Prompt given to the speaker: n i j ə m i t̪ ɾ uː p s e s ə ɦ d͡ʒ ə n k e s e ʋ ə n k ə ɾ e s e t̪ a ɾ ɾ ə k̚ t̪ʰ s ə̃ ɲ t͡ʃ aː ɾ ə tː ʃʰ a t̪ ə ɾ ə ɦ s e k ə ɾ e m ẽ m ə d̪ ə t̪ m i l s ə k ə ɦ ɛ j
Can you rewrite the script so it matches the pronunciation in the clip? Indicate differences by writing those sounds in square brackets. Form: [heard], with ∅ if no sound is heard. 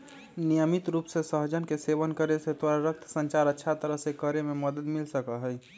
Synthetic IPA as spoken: n i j ə m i t̪ ɾ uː p s e s ə ɦ d͡ʒ ə n k e s e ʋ ə n k ə ɾ e s e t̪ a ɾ ɾ ə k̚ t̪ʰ s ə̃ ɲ t͡ʃ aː ɾ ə tː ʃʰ a t̪ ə ɾ ə ɦ s e k ə ɾ e m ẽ m ə d̪ ə [d̪] m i l s ə k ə ɦ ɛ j